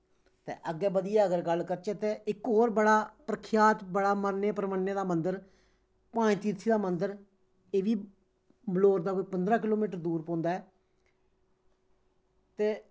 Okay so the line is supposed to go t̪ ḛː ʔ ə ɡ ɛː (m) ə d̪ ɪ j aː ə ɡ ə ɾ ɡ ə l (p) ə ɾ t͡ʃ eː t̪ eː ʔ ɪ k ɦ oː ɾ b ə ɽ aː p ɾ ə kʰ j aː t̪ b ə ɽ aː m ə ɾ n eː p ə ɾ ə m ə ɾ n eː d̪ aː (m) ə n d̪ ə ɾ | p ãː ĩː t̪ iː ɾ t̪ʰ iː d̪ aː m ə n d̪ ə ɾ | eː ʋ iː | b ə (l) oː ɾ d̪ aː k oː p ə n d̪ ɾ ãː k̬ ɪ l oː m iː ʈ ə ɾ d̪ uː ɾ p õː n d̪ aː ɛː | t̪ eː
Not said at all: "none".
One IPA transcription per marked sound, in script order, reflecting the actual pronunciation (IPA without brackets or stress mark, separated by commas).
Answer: b, k, m, l